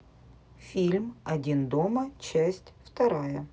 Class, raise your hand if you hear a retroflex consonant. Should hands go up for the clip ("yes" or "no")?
no